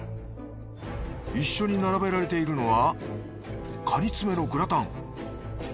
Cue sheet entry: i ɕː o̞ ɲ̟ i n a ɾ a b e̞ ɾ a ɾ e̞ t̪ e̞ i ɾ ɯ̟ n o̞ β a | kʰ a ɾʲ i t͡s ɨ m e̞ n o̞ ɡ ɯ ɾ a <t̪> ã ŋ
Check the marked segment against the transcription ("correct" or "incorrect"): correct